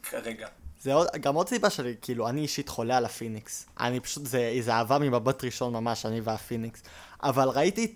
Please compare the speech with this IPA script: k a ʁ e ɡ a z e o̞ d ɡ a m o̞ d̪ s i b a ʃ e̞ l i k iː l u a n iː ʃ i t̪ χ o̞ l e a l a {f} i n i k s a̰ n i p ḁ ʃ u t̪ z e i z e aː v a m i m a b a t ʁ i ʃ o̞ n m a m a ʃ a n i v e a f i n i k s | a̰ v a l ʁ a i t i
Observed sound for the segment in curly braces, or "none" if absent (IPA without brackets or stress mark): f